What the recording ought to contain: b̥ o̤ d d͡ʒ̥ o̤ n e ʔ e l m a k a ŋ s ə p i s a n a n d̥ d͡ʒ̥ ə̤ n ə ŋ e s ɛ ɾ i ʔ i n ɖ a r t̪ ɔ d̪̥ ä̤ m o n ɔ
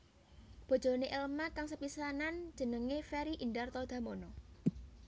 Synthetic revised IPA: b̥ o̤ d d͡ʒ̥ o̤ n e ʔ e l m a k a ŋ s ə p i s a n a n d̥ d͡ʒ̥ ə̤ n ə ŋ e f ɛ ɾ i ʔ i n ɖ a r t̪ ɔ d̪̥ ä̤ m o n ɔ